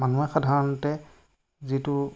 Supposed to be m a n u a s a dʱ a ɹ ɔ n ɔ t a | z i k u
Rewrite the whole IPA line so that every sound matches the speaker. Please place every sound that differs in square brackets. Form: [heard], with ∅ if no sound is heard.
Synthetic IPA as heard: m a n u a [x] a dʱ a ɹ ɔ n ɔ t [ɛ] | z i [t] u